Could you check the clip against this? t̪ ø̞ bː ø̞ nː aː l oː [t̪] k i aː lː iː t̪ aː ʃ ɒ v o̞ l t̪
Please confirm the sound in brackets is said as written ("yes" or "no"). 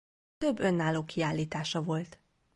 no